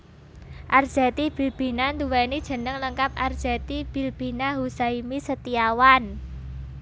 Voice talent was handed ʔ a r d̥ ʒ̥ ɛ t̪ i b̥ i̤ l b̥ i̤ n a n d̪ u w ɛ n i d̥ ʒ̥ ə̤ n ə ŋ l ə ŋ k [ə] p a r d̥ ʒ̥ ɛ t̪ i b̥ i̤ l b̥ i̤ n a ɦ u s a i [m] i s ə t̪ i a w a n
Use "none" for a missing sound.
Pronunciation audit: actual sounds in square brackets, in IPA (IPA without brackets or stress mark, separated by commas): a, m